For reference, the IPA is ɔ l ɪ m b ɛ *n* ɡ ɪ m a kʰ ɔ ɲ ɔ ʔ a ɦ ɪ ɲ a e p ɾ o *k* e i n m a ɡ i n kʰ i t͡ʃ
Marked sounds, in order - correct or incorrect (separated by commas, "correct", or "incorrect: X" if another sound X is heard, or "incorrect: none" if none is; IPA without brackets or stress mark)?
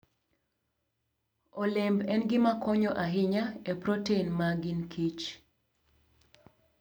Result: correct, incorrect: t